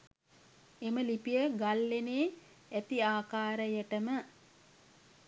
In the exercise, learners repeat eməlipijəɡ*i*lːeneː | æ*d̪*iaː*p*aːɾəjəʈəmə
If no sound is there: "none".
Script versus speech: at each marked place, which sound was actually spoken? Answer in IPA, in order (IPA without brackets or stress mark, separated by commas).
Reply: a, t̪, k